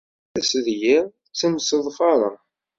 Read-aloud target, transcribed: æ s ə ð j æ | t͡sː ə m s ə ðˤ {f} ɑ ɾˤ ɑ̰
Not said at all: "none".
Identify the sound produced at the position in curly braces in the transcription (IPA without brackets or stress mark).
f